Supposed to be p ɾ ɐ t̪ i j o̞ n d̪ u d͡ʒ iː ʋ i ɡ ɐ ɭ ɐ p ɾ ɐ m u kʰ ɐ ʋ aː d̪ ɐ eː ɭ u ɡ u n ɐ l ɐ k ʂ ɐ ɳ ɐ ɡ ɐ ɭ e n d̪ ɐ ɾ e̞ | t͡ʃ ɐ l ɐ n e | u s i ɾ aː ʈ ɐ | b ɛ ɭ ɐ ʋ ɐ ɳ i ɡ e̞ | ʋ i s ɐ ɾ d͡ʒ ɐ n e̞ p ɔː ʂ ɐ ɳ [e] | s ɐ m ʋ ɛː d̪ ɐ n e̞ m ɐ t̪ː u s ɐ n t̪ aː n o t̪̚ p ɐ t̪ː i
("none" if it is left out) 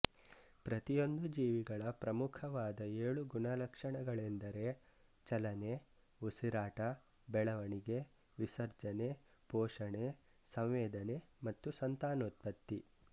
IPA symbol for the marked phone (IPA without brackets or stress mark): e